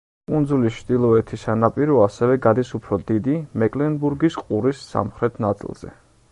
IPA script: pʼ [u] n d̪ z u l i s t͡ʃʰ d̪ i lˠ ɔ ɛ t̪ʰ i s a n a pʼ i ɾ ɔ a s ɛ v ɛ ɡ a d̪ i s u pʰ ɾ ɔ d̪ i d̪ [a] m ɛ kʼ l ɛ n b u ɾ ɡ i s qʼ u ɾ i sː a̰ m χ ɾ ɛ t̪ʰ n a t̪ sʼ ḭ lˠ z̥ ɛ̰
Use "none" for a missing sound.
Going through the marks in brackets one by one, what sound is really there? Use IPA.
u, i

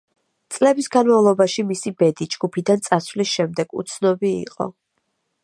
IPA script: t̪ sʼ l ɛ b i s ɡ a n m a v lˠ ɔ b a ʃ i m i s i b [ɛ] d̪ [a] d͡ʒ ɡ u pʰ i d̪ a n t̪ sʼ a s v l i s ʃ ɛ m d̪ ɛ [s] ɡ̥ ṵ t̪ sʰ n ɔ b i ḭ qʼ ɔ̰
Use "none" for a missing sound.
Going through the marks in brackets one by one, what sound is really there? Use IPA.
ɛ, i, none

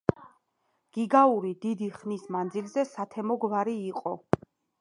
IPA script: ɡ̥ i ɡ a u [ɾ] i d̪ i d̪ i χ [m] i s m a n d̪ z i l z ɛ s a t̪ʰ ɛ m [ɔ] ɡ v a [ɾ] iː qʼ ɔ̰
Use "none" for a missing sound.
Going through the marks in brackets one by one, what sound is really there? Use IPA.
ɾ, n, ɔ, ɾ

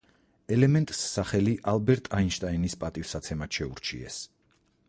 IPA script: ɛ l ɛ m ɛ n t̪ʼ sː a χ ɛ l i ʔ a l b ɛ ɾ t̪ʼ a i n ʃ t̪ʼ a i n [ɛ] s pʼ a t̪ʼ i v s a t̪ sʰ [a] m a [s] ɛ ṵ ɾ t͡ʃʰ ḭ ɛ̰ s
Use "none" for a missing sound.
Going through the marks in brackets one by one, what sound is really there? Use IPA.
i, ɛ, ʃ

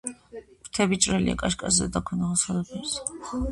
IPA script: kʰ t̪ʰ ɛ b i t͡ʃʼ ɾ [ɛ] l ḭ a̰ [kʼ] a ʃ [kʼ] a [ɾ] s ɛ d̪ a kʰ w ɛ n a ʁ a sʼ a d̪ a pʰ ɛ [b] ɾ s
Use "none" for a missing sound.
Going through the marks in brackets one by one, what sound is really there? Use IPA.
ɛ, kʼ, kʼ, none, none

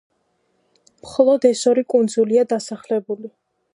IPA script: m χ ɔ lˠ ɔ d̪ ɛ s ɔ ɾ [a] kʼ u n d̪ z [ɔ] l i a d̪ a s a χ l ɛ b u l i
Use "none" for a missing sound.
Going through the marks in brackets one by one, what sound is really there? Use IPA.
i, u

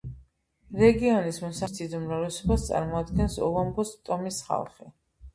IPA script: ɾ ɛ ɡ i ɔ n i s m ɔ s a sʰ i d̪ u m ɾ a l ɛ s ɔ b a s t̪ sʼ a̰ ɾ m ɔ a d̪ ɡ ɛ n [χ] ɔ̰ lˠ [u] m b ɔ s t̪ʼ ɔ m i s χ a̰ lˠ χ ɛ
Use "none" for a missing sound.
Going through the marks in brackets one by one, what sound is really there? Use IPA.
s, ɔ

